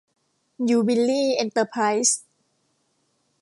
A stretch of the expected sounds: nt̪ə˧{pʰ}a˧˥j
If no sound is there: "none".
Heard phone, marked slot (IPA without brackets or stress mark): pʰ